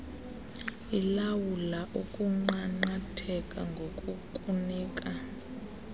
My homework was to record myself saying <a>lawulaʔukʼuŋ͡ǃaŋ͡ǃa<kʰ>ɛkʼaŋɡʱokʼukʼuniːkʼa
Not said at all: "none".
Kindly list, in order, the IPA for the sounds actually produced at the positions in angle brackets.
i, tʰ

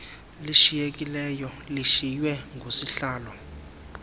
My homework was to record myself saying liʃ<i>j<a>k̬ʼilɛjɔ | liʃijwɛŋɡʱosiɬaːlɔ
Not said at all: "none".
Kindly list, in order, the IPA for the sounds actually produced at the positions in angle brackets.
i, e

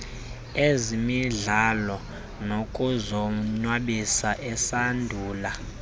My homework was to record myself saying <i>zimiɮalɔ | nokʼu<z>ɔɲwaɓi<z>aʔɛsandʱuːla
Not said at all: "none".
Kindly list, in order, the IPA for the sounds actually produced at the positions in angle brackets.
e, z, s

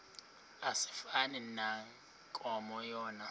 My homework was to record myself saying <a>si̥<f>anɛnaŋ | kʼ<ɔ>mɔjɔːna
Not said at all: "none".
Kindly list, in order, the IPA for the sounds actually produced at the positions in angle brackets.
a, f, ɔ

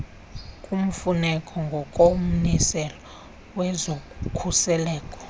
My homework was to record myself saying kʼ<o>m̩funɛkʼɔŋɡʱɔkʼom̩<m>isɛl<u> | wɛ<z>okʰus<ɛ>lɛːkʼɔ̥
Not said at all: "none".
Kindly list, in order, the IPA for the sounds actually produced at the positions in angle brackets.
u, n, ɔ, z, ɛ

